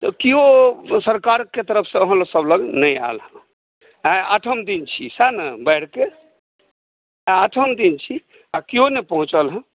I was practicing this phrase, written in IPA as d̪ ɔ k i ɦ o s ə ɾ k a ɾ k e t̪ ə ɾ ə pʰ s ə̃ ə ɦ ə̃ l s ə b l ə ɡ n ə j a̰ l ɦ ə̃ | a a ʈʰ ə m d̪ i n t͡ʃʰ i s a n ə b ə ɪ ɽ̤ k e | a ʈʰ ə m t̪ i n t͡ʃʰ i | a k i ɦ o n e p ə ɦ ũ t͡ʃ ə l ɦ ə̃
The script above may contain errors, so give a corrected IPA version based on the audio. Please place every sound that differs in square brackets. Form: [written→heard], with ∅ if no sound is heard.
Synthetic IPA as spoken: [d̪→t̪] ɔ k i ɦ o s ə ɾ k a ɾ k e t̪ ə ɾ ə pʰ s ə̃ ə ɦ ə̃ l s ə b l ə ɡ n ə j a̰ l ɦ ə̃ | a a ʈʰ ə m d̪ i n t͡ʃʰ i s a n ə b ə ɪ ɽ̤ k e | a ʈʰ ə m [t̪→d̪] i n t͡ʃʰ i | a k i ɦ o n e p ə ɦ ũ t͡ʃ ə l ɦ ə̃